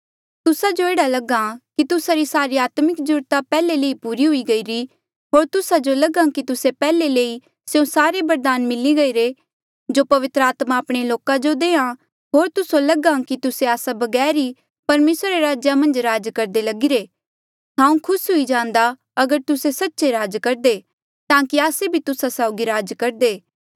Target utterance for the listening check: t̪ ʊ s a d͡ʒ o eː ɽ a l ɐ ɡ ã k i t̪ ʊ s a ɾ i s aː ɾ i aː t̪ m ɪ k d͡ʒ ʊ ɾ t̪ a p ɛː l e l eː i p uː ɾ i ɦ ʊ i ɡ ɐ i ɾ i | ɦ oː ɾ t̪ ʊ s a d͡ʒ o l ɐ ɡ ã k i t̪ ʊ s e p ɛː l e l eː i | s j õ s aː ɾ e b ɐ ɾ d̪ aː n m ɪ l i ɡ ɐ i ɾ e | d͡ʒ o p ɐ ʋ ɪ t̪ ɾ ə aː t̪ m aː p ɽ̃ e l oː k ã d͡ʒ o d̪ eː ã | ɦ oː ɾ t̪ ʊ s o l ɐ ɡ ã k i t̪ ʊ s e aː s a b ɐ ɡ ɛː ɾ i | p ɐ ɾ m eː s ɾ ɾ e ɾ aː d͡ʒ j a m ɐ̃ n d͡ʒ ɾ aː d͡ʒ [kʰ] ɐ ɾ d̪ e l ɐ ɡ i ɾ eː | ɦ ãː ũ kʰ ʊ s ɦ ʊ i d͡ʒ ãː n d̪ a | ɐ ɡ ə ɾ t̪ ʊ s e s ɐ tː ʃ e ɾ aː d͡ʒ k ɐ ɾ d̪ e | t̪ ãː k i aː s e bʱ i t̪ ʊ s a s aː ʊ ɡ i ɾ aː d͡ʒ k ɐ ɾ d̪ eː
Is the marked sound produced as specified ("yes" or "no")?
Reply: no